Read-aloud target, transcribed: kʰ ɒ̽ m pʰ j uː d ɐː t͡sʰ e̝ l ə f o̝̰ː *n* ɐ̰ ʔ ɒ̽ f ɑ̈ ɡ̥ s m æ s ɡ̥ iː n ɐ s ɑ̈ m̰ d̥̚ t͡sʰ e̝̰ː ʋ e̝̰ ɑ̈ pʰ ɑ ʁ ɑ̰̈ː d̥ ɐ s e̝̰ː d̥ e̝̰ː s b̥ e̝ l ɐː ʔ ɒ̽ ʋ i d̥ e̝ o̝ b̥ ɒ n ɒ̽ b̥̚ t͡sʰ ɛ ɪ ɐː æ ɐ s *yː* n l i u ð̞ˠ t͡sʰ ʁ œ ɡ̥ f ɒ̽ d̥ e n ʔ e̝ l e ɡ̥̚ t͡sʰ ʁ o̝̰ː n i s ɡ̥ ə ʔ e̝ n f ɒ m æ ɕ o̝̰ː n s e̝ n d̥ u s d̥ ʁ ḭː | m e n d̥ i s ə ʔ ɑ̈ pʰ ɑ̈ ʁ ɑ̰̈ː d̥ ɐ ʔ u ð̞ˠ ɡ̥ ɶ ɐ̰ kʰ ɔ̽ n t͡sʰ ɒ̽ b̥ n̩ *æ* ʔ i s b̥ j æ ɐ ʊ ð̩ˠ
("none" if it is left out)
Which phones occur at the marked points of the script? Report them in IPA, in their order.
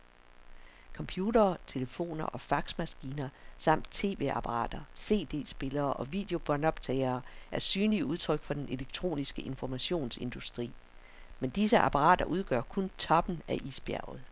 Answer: n, yː, æ

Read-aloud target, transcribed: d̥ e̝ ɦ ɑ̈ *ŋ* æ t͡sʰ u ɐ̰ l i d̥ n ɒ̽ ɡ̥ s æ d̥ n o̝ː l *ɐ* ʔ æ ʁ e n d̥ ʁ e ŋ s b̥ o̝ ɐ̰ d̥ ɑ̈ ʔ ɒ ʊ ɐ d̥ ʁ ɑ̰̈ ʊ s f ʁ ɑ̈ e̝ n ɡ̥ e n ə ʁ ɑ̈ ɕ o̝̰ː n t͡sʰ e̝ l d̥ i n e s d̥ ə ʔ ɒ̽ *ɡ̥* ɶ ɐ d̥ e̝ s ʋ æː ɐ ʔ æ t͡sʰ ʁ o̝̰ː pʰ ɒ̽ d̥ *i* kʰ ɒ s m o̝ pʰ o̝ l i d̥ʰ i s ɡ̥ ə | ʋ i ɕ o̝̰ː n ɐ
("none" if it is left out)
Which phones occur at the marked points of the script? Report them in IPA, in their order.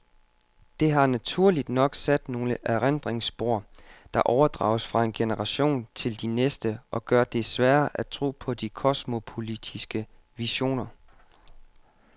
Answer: n, ə, ɡ̥, i

